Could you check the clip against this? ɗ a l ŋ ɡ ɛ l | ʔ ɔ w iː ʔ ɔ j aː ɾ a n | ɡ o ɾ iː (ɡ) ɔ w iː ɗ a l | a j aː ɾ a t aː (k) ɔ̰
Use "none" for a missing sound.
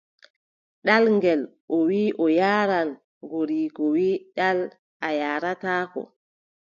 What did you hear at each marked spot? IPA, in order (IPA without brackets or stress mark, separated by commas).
k, k